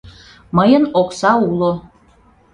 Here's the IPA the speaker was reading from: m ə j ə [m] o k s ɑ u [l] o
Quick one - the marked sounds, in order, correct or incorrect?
incorrect, correct

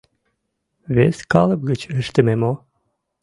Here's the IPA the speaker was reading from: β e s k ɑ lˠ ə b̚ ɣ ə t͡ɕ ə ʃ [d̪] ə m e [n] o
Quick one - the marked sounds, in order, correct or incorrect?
incorrect, incorrect

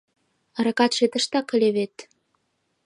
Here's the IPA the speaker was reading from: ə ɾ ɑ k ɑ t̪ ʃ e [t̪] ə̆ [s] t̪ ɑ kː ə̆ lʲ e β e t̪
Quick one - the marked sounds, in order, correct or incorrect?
correct, incorrect

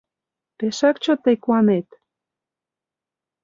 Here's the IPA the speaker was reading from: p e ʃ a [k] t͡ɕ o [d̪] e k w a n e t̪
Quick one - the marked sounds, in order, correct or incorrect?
correct, incorrect

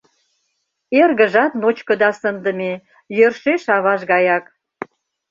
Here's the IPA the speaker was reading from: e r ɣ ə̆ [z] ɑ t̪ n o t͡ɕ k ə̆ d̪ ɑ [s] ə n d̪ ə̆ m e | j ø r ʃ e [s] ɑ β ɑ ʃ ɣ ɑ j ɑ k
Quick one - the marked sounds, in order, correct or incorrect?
incorrect, correct, incorrect

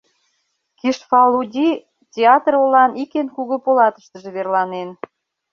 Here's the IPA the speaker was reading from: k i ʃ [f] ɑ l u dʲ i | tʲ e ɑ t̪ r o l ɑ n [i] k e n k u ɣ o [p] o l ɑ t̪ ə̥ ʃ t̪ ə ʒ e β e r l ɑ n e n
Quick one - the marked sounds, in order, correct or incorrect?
correct, correct, correct

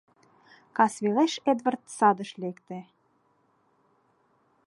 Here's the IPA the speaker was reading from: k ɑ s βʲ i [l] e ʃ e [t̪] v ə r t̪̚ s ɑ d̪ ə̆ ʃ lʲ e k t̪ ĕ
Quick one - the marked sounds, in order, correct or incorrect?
correct, incorrect

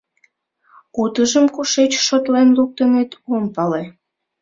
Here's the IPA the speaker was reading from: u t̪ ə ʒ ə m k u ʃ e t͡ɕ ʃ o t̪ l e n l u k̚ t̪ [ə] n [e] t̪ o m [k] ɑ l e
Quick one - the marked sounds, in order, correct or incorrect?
correct, correct, incorrect

